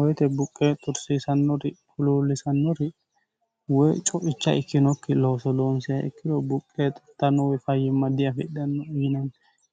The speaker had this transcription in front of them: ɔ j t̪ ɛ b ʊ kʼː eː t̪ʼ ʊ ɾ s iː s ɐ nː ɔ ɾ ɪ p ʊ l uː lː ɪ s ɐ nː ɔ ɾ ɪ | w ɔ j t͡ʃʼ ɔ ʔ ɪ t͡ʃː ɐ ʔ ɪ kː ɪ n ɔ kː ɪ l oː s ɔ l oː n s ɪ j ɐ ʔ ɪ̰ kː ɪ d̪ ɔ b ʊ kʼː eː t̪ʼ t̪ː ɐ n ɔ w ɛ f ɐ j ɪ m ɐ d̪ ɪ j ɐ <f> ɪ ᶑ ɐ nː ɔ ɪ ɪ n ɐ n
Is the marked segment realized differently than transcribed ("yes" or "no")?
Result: no